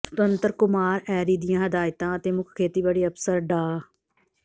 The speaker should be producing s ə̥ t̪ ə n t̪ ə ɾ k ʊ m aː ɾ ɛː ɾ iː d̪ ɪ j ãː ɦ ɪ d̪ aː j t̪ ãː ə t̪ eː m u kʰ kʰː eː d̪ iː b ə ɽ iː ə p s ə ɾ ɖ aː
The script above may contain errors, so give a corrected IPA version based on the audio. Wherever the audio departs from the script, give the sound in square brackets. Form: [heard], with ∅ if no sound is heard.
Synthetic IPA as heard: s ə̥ t̪ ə n t̪ ə ɾ k ʊ m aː ɾ ɛː ɾ iː d̪ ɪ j ãː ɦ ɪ d̪ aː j t̪ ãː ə t̪ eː m [ʊ] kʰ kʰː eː [t̪] iː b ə ɽ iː ə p s ə ɾ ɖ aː